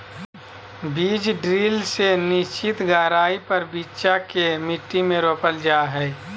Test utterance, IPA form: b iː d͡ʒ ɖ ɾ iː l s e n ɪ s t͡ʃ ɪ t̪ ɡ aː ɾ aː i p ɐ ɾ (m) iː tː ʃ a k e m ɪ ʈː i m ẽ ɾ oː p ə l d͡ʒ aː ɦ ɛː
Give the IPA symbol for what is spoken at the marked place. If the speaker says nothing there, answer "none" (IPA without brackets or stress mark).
b